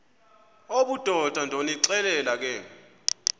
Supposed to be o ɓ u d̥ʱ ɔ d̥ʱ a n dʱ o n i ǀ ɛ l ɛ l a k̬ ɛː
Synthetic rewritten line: o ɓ u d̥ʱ ɔ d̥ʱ a n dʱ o n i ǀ ɛ l ɛ l a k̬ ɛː